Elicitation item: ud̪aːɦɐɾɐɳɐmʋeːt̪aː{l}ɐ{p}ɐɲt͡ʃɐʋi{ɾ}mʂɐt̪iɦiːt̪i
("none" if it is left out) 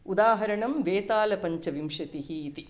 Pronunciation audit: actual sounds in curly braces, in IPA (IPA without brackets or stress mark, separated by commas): l, p, none